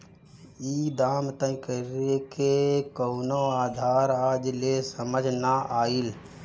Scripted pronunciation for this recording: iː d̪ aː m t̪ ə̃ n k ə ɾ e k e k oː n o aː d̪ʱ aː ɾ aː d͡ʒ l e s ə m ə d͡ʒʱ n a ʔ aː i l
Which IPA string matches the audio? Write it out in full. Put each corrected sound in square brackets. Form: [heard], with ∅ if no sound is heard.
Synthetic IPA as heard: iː d̪ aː m t̪ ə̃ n k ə ɾ e k e k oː n o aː d̪ʱ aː ɾ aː d͡ʒ l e s ə m ə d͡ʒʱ n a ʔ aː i l